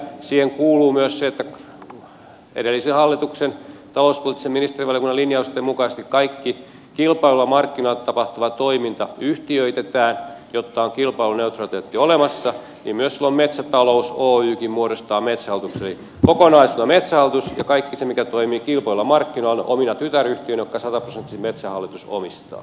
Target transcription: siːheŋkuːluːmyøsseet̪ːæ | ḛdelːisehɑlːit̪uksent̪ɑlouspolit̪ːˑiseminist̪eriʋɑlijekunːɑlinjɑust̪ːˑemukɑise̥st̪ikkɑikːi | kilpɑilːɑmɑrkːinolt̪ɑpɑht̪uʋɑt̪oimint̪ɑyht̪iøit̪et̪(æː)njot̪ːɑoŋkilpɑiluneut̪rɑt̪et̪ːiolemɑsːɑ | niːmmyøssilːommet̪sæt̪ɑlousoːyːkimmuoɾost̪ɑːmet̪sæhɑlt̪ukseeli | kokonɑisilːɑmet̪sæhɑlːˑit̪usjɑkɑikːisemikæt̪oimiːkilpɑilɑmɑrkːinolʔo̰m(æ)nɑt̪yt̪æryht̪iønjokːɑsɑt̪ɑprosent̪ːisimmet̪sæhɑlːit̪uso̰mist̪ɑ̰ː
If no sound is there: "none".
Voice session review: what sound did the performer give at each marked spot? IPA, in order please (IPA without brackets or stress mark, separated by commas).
æː, i